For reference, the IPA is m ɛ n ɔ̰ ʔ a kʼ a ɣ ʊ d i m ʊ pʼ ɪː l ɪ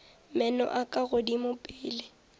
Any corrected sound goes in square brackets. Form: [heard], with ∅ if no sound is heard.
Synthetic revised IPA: m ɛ n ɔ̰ ʔ a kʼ a ɣ ʊ d i m ʊ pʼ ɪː l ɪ